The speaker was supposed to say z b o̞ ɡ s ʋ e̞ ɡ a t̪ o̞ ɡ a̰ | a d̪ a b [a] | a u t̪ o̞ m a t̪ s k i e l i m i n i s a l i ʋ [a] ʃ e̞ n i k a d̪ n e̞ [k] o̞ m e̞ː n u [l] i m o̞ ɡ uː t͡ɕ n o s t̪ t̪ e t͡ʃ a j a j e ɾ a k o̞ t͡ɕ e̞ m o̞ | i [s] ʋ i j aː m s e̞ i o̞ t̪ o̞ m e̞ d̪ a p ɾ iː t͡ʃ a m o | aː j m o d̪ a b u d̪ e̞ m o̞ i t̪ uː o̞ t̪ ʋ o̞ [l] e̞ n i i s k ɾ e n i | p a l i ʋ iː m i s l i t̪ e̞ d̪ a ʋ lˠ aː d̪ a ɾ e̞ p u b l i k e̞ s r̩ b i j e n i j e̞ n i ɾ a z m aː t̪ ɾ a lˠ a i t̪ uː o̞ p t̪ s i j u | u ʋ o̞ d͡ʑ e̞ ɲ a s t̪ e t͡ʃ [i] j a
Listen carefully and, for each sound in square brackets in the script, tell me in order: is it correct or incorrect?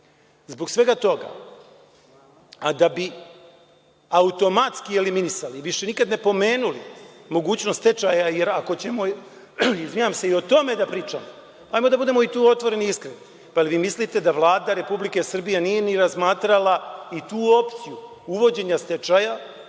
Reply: incorrect: i, incorrect: i, incorrect: p, correct, incorrect: z, incorrect: ɾ, incorrect: a

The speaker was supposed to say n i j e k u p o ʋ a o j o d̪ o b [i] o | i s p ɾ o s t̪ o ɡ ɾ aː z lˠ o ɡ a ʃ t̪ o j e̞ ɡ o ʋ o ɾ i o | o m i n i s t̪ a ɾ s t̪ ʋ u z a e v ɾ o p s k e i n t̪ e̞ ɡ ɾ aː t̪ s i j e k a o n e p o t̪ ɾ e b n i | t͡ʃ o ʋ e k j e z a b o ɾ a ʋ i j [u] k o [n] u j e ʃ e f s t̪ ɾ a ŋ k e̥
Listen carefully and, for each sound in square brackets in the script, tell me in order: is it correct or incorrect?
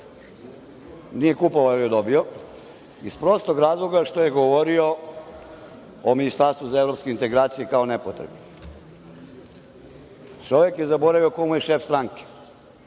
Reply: correct, incorrect: o, incorrect: m

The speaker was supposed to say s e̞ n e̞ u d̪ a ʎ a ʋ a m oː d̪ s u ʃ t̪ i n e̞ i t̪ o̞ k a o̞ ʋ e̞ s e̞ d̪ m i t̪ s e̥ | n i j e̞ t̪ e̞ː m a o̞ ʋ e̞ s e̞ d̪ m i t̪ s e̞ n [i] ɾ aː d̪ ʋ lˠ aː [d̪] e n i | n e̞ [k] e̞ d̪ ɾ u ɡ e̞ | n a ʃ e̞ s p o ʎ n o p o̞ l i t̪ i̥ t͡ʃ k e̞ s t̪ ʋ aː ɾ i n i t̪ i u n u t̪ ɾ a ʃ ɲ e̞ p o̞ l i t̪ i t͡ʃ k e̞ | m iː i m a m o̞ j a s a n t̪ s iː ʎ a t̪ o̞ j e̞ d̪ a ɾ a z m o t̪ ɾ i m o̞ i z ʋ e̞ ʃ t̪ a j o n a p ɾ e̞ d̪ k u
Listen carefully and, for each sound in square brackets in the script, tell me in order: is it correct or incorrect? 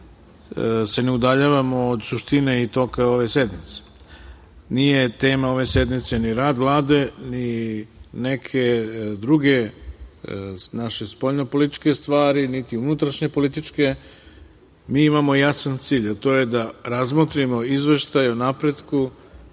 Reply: correct, correct, incorrect: kʰ

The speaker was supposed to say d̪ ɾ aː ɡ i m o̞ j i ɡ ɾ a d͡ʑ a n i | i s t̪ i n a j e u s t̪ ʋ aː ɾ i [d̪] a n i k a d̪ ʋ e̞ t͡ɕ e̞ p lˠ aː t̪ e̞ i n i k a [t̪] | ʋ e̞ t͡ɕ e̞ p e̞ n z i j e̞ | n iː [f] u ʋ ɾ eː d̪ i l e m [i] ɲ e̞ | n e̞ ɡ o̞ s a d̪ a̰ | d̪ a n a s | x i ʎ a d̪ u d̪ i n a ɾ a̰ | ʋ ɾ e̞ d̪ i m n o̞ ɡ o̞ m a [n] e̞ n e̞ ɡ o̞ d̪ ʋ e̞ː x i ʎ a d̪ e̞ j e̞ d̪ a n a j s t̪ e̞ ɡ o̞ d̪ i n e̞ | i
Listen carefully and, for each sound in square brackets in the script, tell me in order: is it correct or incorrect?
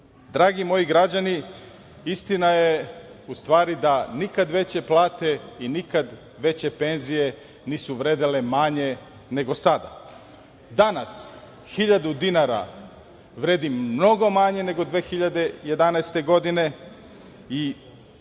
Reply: correct, incorrect: d̪, incorrect: s, incorrect: a, incorrect: ɲ

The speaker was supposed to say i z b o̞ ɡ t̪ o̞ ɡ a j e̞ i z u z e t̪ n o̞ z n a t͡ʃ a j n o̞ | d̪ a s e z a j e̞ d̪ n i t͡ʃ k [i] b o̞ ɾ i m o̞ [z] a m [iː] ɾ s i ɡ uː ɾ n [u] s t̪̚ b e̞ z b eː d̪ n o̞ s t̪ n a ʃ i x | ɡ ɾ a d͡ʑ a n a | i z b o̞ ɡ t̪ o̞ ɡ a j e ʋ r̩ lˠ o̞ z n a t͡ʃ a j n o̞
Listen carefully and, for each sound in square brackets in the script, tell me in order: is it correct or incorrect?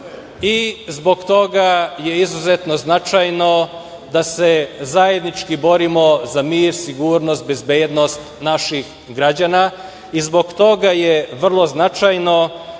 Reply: correct, correct, correct, incorrect: o

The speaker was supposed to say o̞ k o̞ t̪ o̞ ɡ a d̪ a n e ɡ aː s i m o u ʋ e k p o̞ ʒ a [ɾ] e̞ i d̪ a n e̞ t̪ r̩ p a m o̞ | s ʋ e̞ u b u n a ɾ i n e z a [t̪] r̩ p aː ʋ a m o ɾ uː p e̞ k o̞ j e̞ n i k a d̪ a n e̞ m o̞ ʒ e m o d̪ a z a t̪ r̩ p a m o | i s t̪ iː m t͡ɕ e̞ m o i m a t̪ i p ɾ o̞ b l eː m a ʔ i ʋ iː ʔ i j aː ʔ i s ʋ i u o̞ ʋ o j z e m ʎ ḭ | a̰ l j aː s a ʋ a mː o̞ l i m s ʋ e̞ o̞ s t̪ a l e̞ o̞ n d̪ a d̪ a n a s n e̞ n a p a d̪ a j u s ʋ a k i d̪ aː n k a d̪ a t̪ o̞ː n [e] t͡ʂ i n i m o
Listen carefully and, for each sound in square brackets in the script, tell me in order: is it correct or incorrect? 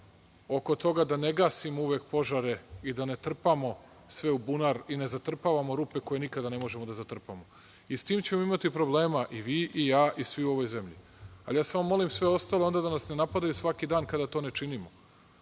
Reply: correct, correct, correct

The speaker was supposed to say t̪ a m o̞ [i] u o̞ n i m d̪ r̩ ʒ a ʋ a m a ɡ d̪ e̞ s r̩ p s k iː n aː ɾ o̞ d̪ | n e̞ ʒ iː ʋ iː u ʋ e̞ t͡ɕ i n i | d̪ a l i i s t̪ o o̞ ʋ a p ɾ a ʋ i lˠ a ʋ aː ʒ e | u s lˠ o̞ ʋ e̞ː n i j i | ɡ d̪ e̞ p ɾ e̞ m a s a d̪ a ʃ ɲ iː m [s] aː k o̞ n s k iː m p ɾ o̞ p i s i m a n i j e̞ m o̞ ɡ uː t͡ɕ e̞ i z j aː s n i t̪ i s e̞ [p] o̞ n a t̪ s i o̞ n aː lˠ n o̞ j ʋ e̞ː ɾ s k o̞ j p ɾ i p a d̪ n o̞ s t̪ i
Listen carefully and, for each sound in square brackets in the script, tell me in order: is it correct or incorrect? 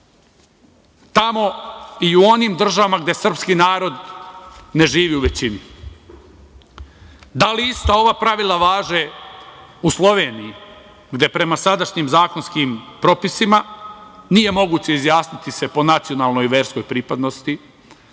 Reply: correct, incorrect: z, correct

